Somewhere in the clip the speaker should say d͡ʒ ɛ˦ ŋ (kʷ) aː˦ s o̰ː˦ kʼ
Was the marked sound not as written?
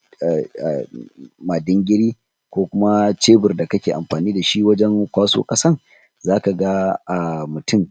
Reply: no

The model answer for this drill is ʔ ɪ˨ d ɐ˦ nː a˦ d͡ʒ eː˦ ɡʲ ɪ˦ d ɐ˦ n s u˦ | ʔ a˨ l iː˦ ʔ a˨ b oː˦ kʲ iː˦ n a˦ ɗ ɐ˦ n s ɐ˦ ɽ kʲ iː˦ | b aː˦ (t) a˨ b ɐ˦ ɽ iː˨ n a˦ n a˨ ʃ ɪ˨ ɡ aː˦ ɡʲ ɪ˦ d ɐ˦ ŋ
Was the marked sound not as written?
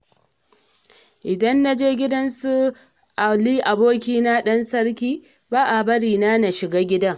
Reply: yes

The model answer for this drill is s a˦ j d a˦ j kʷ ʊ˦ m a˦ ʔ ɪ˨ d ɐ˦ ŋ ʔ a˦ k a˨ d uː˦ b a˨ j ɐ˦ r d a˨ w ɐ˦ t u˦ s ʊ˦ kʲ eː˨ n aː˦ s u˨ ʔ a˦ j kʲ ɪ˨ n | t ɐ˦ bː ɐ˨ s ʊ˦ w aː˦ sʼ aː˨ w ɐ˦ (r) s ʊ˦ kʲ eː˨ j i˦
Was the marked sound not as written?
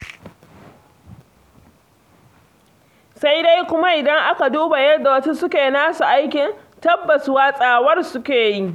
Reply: no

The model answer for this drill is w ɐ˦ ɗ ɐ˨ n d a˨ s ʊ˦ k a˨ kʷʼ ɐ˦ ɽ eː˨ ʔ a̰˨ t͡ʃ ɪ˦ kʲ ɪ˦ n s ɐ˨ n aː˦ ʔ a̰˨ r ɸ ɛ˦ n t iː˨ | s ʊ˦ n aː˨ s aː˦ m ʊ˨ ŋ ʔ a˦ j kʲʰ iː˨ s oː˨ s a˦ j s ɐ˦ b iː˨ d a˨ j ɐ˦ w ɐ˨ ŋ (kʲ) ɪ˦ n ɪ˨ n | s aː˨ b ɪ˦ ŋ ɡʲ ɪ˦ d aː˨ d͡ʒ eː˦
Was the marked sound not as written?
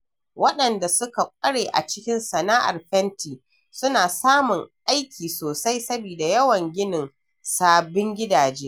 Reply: yes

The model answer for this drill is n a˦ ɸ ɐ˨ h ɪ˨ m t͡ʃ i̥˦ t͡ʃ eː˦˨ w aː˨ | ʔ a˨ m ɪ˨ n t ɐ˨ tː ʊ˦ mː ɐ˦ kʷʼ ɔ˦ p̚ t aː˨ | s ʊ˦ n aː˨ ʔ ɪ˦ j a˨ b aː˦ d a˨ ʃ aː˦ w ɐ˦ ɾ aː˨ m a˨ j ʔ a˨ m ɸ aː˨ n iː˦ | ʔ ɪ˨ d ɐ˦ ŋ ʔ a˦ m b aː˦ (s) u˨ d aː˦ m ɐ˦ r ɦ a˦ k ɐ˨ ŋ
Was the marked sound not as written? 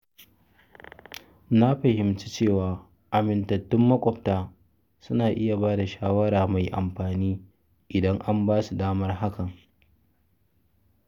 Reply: no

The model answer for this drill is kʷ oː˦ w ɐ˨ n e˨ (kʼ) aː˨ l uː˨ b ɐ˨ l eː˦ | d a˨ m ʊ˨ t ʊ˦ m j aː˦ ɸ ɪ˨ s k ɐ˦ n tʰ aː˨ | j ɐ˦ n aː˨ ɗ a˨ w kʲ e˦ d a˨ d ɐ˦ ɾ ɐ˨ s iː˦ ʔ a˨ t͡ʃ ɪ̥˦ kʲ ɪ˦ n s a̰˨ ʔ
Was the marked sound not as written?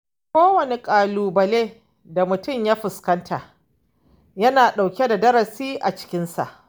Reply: no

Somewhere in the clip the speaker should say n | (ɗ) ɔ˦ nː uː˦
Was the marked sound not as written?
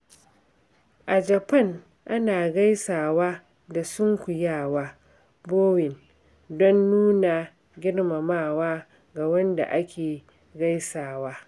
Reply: yes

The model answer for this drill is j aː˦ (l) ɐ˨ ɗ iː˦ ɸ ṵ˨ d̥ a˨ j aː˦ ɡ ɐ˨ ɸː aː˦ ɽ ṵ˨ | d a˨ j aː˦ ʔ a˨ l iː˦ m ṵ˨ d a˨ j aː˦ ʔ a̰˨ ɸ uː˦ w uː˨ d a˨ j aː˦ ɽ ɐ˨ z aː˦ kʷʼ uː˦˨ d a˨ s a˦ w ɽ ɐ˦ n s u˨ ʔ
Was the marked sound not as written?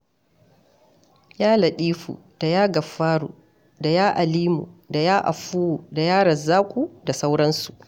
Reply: no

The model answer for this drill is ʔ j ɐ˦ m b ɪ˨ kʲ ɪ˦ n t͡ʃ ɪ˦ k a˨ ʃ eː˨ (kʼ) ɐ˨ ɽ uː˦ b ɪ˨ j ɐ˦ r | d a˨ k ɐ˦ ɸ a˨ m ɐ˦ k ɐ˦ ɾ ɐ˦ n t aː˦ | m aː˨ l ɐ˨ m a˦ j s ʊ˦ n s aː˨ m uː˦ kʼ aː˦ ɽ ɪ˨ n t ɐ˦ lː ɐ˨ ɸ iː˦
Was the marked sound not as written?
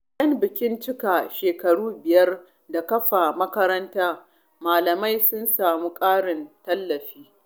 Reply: yes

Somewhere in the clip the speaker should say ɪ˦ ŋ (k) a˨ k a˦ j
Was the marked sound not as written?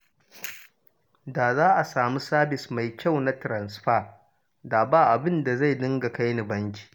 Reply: yes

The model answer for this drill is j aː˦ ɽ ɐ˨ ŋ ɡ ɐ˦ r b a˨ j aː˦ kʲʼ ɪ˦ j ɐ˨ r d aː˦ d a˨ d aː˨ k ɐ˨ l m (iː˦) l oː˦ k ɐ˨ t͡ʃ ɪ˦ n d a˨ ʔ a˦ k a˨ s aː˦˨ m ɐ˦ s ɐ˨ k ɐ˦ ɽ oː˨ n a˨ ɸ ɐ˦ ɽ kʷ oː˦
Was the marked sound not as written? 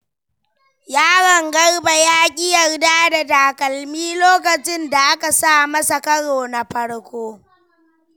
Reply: no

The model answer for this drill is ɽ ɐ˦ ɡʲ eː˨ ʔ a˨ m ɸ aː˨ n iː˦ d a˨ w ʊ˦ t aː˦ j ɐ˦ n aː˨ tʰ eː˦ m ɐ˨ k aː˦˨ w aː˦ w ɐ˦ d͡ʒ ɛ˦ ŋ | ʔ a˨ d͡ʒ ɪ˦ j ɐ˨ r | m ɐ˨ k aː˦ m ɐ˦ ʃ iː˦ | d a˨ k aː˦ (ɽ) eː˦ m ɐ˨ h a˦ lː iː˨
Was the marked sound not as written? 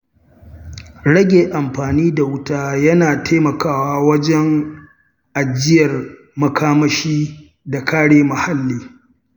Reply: no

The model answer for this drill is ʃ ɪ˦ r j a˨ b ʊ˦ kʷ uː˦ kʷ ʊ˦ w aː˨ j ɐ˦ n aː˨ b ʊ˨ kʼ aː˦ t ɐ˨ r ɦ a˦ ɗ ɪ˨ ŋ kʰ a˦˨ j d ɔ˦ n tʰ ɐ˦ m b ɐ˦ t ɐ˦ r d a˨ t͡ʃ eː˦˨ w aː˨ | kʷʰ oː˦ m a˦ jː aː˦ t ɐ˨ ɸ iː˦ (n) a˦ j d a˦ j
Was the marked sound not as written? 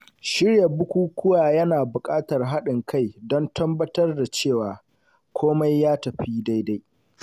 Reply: yes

